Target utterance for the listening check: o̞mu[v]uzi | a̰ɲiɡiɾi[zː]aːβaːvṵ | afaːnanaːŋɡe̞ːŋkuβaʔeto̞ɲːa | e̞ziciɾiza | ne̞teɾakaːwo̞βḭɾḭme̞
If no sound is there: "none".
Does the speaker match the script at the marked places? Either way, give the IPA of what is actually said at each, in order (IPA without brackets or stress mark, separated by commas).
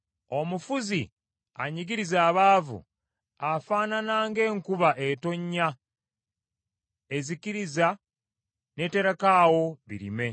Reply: f, z